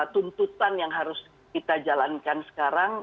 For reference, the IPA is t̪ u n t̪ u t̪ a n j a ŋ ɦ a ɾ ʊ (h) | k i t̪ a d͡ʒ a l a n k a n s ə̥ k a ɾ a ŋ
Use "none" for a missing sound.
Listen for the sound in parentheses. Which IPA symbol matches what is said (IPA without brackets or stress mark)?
s